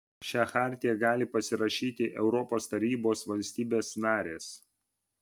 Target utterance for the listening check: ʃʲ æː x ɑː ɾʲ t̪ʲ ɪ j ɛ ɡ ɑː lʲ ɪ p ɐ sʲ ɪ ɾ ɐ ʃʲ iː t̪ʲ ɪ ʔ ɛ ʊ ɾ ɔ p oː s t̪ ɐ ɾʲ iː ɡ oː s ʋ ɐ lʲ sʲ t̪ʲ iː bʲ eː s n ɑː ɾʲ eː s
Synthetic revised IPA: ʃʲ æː x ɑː ɾʲ t̪ʲ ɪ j ɛ ɡ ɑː lʲ ɪ p ɐ sʲ ɪ ɾ ɐ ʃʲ iː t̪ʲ ɪ ʔ ɛ ʊ ɾ ɔ p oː s t̪ ɐ ɾʲ iː b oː s ʋ ɐ lʲ sʲ t̪ʲ iː bʲ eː s n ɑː ɾʲ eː s